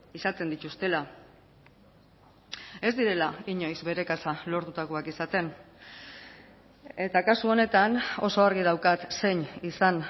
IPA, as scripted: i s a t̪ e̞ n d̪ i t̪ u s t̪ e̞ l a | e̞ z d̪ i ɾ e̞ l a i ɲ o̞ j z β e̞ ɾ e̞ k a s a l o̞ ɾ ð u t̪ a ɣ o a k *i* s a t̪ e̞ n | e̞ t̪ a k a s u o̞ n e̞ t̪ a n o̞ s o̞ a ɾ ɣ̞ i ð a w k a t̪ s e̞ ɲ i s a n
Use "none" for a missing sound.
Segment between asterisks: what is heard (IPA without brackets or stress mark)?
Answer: i